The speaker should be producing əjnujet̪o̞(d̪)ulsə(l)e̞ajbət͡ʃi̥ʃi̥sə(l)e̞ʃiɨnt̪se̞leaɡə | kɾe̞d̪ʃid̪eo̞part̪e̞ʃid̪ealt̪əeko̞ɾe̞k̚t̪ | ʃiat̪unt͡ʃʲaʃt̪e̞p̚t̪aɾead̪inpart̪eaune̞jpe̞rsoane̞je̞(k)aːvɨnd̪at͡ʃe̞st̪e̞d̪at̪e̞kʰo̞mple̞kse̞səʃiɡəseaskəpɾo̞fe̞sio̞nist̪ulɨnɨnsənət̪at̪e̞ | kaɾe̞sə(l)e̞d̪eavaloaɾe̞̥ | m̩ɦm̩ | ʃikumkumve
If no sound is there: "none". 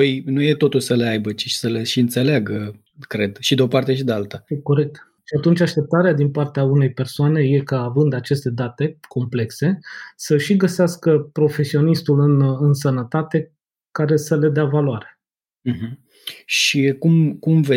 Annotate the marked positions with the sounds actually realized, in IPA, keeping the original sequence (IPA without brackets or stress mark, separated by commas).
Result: t̪, l, l, k, l